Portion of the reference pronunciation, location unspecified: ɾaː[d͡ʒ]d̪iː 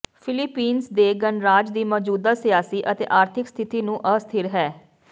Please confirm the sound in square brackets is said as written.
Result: yes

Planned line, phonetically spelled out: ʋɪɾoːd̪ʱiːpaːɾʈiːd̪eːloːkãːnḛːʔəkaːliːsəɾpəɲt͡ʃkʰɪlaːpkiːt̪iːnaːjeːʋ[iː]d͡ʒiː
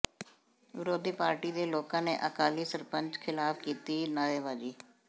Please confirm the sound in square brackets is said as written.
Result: no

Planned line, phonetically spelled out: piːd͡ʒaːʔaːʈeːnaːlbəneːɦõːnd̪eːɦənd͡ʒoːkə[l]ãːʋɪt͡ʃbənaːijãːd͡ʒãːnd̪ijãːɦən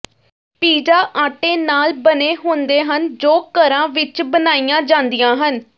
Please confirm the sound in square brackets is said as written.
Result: no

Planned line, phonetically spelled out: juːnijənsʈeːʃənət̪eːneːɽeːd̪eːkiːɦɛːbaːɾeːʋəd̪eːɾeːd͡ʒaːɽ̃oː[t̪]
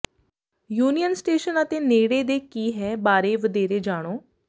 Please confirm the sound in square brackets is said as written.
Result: no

